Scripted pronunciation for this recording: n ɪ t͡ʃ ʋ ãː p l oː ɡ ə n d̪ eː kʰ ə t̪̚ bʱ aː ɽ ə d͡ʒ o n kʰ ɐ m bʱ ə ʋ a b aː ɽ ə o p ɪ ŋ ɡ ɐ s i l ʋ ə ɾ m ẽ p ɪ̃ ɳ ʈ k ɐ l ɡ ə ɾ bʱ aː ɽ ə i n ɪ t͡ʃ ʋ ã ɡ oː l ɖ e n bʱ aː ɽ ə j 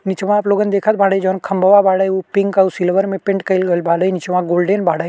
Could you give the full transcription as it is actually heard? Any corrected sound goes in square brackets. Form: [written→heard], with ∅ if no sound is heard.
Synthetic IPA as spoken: n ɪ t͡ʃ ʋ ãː p l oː ɡ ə n d̪ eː kʰ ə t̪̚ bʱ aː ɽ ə d͡ʒ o n kʰ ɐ m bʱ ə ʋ a b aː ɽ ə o p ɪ ŋ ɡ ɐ s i l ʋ ə ɾ m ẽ p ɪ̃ ɳ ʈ k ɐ l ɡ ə [ɾ→l] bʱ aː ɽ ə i n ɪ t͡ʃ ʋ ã ɡ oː l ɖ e n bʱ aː ɽ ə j